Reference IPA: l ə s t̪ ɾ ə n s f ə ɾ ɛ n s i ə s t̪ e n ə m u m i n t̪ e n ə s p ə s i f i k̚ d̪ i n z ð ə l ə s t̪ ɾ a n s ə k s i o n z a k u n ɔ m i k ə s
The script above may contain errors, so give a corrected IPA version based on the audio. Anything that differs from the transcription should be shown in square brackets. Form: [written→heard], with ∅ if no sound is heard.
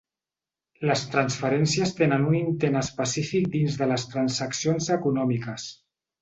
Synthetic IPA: l ə s t̪ ɾ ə n s f ə ɾ ɛ n s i ə s t̪ e n ə [m→n] u [m→n] i n t̪ e n ə s p ə s i f i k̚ d̪ i n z ð ə l ə s t̪ ɾ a n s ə k s i o n z [a→ə] k u n ɔ m i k ə s